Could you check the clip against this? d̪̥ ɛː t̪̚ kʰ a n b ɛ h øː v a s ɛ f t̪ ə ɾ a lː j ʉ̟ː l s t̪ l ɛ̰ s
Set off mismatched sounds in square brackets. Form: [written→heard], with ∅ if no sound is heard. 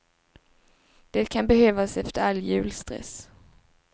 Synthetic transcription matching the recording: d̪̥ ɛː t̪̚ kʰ a n b ɛ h øː v a s ɛ f t̪ ə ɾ a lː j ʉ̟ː l s t̪ [l→ɾ] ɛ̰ s